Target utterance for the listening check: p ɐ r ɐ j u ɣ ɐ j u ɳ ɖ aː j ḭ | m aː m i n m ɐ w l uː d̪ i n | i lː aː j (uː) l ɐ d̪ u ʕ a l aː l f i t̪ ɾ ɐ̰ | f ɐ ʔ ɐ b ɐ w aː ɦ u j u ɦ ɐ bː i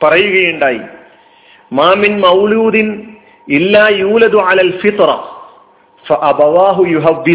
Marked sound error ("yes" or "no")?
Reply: no